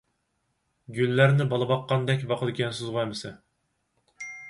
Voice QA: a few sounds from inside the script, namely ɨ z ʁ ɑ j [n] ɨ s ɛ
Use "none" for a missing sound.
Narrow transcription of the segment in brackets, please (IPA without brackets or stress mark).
m